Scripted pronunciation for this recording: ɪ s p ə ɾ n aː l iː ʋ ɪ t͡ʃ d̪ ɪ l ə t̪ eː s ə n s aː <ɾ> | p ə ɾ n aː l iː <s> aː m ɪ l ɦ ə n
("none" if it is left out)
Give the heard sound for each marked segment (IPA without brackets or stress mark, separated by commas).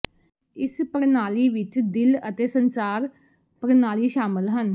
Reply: ɾ, ʃ